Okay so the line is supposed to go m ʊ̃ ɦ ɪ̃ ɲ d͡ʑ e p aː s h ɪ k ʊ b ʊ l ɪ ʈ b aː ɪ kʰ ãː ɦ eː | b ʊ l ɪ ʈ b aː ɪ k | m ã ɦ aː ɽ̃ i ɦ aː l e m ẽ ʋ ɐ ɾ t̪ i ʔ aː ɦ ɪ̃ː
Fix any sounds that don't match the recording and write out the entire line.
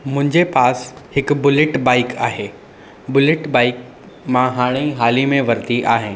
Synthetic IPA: m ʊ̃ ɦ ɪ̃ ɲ d͡ʑ e p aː s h ɪ k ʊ b ʊ l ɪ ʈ b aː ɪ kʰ aː ɦ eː | b ʊ l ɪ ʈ b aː ɪ k | m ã ɦ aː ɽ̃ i ɦ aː l i m ẽ ʋ ɐ ɾ t̪ i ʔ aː ɦ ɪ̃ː